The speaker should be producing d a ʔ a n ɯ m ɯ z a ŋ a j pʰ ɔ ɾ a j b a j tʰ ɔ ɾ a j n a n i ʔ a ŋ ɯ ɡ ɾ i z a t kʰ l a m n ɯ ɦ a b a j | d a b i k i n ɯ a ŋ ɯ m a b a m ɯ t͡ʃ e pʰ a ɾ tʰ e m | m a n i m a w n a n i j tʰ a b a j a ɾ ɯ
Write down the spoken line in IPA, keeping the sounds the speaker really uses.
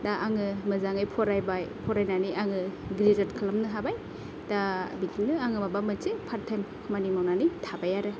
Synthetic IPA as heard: d a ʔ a ŋ ɯ m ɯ z a ŋ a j pʰ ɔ ɾ a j b a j pʰ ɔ ɾ a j n a n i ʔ a ŋ ɯ ɡ ɾ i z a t kʰ l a m n ɯ ɦ a b a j | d a b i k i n ɯ a ŋ ɯ m a b a m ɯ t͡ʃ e pʰ a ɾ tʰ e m | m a n i m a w n a n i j tʰ a b a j a ɾ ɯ